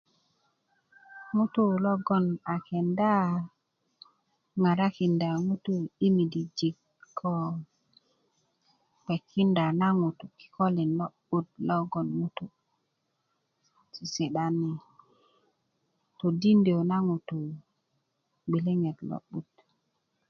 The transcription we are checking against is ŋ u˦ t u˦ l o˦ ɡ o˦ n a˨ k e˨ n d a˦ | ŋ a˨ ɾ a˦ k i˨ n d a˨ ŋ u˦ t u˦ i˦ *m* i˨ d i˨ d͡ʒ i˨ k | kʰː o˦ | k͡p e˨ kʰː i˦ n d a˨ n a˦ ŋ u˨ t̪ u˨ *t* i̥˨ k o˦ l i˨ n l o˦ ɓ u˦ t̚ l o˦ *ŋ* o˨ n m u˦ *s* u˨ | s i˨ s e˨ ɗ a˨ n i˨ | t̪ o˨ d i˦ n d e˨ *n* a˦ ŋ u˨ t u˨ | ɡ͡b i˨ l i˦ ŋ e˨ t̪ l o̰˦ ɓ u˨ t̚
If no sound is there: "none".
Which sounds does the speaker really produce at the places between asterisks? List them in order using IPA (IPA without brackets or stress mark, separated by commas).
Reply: m, k, ɡ, t, n